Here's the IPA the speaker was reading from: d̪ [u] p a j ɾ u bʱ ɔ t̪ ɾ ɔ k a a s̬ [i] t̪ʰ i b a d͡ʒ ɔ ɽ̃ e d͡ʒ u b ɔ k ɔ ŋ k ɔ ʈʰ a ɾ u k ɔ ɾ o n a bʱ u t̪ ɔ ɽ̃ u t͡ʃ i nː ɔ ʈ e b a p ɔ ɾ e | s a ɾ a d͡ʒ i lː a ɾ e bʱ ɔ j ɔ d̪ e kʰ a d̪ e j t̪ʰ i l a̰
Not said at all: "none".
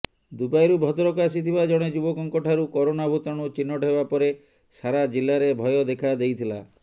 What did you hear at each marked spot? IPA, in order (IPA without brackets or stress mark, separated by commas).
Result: u, i